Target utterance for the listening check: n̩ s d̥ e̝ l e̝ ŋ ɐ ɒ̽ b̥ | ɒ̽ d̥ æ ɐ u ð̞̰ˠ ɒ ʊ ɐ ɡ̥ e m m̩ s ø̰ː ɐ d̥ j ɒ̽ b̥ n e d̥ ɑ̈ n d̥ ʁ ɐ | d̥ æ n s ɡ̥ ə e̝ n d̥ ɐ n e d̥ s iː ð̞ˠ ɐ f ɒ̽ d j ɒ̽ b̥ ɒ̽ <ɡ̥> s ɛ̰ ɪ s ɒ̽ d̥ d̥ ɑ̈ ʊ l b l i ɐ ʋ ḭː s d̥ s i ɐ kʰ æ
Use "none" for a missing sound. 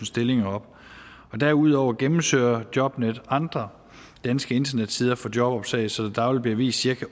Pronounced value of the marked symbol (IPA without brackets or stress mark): b̥